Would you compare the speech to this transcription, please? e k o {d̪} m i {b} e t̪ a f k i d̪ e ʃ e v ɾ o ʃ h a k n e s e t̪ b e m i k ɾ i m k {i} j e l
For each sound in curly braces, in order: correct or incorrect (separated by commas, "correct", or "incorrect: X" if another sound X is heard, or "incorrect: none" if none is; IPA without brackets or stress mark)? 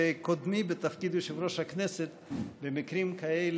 correct, correct, incorrect: a